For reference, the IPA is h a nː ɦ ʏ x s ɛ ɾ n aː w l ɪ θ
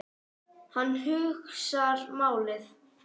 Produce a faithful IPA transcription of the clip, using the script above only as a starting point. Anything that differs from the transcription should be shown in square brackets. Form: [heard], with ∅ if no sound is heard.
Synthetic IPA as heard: h a nː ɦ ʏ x s [a] ɾ [m] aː w l ɪ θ